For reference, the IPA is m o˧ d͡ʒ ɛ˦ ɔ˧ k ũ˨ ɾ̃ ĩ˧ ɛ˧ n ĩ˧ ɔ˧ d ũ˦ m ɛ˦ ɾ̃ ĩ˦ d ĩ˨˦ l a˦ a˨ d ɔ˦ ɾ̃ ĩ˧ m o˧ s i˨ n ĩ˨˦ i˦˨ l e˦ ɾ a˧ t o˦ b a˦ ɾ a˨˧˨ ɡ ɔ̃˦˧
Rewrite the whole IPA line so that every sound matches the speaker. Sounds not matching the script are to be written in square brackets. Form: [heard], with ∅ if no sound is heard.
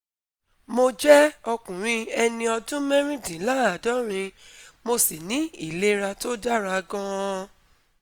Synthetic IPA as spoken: m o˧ d͡ʒ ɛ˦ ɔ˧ k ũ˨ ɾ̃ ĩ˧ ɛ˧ n ĩ˧ ɔ˧ d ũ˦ m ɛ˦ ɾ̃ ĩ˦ d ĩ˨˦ l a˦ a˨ d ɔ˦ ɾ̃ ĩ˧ m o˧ s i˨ n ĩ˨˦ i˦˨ l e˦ ɾ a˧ t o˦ [d] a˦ ɾ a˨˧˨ ɡ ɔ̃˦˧